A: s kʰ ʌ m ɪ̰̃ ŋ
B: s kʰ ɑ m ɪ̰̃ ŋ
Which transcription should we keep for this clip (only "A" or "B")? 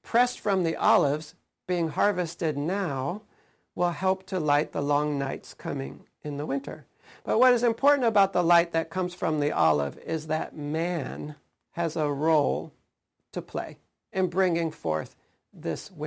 A